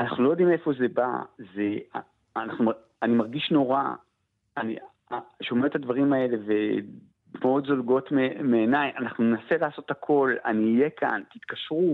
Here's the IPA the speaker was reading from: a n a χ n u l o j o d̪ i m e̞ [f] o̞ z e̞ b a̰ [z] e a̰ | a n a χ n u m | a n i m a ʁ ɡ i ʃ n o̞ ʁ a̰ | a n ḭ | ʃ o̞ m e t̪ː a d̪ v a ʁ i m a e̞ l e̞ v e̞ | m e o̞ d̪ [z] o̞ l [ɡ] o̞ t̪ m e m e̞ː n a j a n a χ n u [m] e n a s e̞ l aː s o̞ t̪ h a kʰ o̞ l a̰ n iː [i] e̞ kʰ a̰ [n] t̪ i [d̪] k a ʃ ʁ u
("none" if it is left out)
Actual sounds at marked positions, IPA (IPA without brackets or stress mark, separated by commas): f, z, z, ɡ, n, j, n, t̪